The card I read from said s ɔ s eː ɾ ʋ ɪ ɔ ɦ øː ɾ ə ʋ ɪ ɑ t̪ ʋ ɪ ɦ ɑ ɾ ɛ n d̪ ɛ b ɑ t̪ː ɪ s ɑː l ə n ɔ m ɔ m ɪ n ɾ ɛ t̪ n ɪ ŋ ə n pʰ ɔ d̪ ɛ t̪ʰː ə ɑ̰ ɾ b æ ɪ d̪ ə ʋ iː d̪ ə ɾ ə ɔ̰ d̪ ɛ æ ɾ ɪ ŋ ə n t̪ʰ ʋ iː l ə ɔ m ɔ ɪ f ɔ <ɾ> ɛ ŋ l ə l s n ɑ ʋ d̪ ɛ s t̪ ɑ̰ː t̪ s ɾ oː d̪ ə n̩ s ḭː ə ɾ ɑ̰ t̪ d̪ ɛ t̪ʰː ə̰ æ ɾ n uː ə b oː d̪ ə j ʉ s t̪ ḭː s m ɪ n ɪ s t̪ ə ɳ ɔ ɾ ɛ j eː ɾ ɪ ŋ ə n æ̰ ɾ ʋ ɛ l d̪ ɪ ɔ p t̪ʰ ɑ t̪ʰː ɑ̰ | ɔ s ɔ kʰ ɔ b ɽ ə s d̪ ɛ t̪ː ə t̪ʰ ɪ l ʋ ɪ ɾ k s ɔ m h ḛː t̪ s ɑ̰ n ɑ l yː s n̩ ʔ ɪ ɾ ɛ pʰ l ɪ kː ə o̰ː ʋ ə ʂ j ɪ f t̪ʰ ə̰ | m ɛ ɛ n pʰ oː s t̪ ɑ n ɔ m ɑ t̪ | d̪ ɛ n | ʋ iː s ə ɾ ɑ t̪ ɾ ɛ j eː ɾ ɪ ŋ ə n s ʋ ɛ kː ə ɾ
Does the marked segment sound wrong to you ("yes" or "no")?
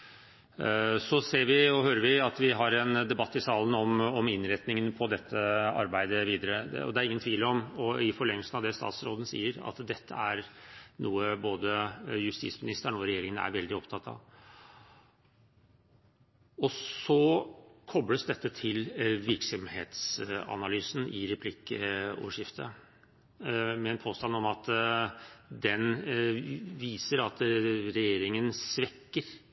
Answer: yes